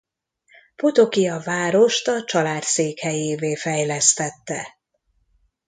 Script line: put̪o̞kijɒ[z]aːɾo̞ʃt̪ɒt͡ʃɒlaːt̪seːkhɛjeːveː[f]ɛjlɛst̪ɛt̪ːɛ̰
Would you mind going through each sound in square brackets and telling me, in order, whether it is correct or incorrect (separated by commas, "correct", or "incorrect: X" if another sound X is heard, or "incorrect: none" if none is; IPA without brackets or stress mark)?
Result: incorrect: v, correct